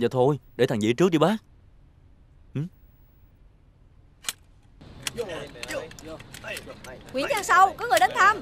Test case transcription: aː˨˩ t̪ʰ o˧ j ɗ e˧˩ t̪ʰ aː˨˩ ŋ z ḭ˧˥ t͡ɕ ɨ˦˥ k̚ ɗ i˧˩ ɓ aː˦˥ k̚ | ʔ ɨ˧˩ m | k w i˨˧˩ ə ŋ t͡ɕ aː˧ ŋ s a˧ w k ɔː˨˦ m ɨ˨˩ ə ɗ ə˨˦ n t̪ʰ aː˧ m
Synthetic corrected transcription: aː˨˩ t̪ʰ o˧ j ɗ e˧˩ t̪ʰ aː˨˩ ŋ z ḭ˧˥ t͡ɕ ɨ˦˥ k̚ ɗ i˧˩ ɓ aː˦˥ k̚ | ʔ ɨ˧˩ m | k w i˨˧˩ ə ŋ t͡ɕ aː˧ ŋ s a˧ w k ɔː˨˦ ŋ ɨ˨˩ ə ɗ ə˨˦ n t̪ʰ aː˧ m